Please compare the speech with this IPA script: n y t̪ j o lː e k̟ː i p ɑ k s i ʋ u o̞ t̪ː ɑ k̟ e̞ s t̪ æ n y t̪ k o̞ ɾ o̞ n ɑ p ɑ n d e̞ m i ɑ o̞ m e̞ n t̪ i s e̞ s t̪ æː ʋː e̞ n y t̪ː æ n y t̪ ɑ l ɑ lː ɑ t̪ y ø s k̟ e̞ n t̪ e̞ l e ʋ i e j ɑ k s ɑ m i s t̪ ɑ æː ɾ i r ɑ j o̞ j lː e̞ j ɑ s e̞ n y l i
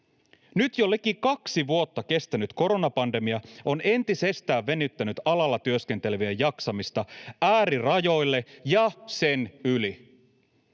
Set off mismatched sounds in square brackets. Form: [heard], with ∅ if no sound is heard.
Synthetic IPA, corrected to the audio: n y t̪ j o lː e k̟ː i [k] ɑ k s i ʋ u o̞ t̪ː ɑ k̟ e̞ s t̪ æ n y t̪ k o̞ ɾ o̞ n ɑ p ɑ n d e̞ m i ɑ o̞ [n] e̞ n t̪ i s e̞ s t̪ æː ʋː e̞ n y t̪ː æ n y t̪ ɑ l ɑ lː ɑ t̪ y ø s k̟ e̞ n t̪ e̞ l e ʋ i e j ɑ k s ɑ m i s t̪ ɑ æː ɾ i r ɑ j o̞ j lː e̞ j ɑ s e̞ n y l i